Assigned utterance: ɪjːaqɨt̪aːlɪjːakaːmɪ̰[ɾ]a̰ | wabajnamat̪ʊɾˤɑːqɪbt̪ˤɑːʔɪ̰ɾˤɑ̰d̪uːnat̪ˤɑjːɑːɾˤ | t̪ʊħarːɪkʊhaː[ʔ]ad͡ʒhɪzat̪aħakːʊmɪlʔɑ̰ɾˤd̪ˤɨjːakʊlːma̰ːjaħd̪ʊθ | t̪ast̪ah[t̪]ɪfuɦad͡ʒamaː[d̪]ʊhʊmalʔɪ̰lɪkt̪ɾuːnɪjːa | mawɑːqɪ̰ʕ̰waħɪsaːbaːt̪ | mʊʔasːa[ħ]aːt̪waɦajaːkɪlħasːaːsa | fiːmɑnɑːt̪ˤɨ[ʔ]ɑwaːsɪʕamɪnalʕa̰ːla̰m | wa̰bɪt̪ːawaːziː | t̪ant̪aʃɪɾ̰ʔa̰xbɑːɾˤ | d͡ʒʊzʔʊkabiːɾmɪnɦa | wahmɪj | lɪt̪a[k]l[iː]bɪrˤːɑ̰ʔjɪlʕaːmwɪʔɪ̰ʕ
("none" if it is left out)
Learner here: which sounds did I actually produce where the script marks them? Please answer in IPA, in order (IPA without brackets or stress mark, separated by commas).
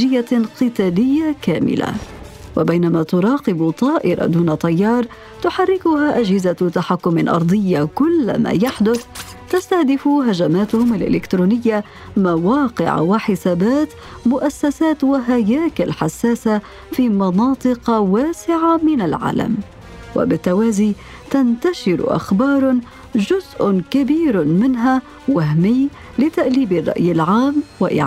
l, ʔ, d̪, t̪, s, q, ʔ, iː